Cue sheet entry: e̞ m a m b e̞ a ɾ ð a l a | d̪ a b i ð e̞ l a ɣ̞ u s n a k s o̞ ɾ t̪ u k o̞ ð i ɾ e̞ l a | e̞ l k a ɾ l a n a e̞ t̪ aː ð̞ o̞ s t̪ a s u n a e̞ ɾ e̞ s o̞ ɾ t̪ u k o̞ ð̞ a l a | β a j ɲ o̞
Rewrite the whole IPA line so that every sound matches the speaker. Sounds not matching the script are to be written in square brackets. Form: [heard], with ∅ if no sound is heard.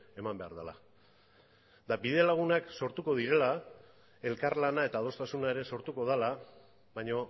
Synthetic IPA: e̞ m a m b e̞ a ɾ ð a l a | d̪ a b i ð e̞ l a ɣ̞ u [∅] n a k s o̞ ɾ t̪ u k o̞ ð i ɾ e̞ l a | e̞ l k a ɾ l a n a e̞ t̪ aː ð̞ o̞ s t̪ a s u n a e̞ ɾ e̞ s o̞ ɾ t̪ u k o̞ ð̞ a l a | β a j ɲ o̞